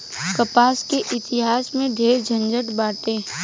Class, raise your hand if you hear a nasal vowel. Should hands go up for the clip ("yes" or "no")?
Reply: yes